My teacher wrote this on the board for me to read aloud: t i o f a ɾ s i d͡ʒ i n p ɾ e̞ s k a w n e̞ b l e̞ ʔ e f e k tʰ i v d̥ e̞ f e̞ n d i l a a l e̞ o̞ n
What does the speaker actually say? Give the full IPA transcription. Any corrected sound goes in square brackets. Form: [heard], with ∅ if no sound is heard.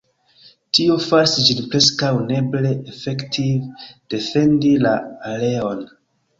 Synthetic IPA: t i o f a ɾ s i d͡ʒ i n p ɾ e̞ s k a w n e̞ b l e̞ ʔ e f e k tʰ i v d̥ e̞ f e̞ n d i l a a l e̞ o̞ n

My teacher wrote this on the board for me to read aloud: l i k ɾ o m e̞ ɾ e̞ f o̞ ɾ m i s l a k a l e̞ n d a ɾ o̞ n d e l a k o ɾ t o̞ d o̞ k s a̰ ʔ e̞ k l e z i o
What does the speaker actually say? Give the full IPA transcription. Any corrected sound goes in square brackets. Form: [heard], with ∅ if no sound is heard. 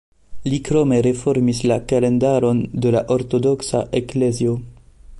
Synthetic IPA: l i k ɾ o m e̞ ɾ e̞ f o̞ ɾ m i s l a k a l e̞ n d a ɾ o̞ n d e l a [ʔ] o ɾ t o̞ d o̞ k s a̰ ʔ e̞ k l e z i o

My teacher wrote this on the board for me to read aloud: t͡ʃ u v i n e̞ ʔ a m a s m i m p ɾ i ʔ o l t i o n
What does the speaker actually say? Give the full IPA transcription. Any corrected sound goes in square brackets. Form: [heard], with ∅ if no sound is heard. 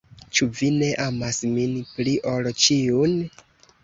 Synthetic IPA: t͡ʃ u v i n e̞ ʔ a m a s m i [n] p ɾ i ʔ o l [t͡ʃ] i [u] n

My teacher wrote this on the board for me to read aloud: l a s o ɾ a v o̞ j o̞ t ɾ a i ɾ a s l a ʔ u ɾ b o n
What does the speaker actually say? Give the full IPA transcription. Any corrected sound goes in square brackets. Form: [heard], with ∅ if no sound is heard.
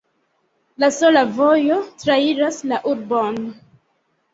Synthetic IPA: l a s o [l] a v o̞ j o̞ t ɾ a i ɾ a s l a ʔ u ɾ b o n

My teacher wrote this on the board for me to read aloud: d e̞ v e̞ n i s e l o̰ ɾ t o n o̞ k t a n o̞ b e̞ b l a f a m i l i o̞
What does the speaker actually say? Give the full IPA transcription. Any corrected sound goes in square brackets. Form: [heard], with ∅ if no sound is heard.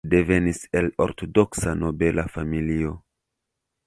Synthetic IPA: d e̞ v e̞ n i s e l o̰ ɾ t o [d] o̞ k [s] a n o̞ b e̞ [∅] l a f a m i l i o̞

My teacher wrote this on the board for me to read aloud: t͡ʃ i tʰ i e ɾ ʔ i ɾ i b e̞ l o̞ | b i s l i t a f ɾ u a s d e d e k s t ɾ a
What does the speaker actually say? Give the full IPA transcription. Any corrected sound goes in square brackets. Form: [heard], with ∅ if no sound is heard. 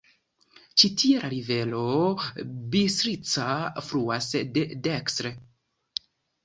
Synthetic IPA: t͡ʃ i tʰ i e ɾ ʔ [a] ɾ i [v] e̞ l o̞ | b i s [ɾ] i [t͡s] a f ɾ u a s d e d e k s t ɾ [e]

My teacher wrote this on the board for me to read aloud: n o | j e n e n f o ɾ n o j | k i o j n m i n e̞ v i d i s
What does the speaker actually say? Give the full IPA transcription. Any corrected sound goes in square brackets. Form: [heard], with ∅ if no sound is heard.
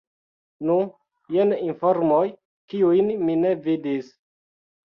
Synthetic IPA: n [u] | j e n [i] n f o ɾ [m] o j | k i [u] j n m i n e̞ v i d i s

